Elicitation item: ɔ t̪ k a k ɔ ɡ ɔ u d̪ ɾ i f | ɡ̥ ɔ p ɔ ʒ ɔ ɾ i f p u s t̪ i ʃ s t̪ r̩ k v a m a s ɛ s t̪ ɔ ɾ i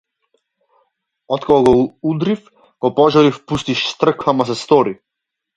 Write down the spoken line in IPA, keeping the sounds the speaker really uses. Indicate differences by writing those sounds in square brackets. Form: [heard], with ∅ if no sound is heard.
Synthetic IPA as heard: ɔ t̪ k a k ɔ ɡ ɔ u d̪ ɾ i f | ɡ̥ ɔ p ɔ ʒ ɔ ɾ i f p u s t̪ i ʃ s t̪ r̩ k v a m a s ɛ s t̪ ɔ ɾ i